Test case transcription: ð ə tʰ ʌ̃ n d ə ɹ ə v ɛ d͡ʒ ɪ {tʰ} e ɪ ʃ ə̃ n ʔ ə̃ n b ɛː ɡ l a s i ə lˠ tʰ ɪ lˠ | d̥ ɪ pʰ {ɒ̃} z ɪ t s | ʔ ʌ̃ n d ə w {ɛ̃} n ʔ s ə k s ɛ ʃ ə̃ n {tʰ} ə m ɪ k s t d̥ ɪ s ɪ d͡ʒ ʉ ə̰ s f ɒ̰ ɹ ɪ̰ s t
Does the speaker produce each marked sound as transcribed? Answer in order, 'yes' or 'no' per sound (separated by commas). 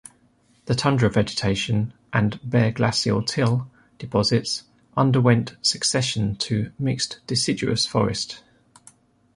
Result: yes, no, yes, yes